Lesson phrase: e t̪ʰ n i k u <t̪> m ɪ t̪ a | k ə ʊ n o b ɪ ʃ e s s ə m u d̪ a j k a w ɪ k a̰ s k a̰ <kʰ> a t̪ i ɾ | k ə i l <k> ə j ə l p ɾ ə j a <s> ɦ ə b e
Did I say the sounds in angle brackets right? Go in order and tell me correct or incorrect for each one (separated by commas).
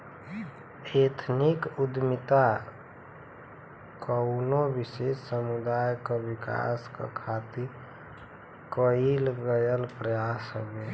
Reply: incorrect, correct, incorrect, correct